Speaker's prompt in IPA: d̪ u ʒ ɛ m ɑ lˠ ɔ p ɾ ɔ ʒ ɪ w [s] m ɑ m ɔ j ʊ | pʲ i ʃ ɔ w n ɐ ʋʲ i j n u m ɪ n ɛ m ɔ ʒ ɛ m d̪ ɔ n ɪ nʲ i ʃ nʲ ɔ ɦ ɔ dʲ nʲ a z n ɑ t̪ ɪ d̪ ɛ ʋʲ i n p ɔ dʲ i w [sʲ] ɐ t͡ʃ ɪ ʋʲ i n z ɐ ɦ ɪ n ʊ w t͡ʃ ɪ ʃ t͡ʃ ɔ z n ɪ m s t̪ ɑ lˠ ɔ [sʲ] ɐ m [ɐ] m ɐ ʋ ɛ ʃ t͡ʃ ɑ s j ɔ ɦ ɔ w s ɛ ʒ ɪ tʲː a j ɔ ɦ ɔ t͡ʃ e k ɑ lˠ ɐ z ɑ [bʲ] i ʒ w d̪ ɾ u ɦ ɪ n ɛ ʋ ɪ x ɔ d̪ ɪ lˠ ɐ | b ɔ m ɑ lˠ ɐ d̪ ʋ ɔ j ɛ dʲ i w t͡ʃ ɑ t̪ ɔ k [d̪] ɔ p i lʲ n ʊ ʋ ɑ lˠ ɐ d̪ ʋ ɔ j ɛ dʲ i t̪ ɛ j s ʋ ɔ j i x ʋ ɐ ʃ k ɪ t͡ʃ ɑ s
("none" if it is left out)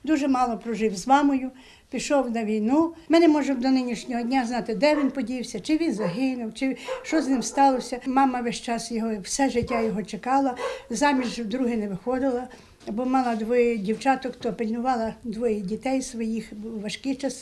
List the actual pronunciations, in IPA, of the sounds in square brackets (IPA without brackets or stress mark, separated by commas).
z, sʲ, sʲ, ɑ, mʲ, t̪